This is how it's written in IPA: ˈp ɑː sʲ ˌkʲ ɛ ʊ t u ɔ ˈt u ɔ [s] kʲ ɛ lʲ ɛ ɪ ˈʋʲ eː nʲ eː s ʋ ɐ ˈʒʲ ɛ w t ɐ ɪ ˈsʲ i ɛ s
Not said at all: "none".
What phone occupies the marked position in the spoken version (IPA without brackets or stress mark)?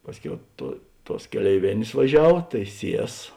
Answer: s